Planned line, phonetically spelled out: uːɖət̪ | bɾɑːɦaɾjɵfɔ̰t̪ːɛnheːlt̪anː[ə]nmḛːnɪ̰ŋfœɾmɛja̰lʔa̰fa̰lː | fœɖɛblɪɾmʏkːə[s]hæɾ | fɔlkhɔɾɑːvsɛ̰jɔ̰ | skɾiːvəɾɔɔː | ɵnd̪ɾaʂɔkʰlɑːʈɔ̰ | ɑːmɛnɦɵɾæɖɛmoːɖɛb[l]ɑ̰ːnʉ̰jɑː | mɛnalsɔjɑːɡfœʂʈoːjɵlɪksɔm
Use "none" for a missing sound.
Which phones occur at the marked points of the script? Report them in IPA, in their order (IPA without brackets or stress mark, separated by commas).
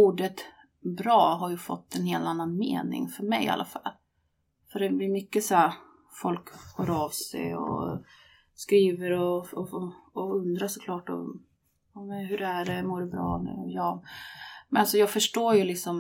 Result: a, s, ɾ